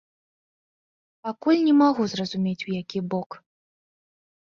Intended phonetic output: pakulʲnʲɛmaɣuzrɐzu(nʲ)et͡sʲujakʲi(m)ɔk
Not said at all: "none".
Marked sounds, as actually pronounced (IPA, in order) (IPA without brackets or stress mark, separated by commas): mʲ, b